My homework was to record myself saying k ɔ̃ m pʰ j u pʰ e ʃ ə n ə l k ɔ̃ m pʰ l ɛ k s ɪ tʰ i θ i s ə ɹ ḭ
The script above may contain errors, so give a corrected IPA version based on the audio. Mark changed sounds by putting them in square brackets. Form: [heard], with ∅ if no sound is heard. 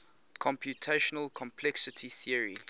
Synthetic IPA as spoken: [kʰ] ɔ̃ m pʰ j u [tʰ] e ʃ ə n ə l [kʰ] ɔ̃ m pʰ l ɛ k s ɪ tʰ i θ i [∅] ə ɹ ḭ